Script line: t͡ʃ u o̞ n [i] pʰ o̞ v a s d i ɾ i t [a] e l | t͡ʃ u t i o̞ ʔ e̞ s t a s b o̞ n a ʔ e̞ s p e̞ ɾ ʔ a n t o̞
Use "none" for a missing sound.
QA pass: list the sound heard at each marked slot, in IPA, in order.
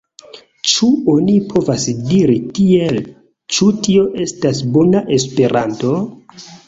i, i

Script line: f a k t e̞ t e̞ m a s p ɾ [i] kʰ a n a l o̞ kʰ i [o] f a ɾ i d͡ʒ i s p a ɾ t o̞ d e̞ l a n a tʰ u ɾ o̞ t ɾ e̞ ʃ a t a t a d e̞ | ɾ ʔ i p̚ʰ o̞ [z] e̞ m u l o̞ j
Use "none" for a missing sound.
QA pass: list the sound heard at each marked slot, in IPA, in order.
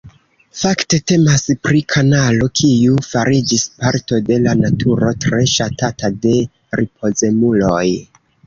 i, u, z

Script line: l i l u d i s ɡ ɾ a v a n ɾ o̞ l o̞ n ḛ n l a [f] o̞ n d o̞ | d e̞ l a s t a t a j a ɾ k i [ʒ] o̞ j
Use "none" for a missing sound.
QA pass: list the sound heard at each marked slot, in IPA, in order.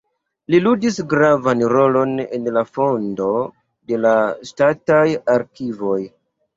f, v

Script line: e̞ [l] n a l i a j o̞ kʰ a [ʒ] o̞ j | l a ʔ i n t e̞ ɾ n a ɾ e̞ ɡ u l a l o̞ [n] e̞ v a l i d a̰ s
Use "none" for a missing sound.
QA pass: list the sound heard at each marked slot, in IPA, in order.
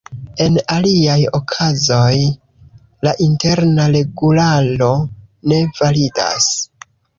none, z, n

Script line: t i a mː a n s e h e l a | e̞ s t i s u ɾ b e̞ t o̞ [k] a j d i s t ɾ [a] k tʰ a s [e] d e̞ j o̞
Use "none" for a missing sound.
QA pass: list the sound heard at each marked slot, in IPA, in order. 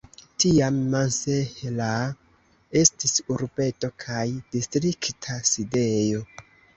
kʰ, i, i

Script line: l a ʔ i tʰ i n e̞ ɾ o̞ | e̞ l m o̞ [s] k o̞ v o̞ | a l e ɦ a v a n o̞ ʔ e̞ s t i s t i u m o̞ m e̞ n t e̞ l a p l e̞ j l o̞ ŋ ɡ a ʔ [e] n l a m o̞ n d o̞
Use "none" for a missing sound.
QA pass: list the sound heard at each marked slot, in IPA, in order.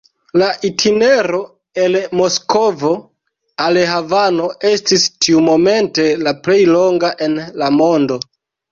s, e

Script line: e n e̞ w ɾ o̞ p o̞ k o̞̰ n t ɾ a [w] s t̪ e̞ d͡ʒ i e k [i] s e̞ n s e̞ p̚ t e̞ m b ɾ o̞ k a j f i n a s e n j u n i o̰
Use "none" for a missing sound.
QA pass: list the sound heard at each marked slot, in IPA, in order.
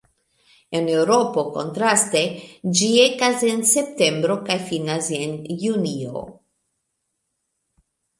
none, a

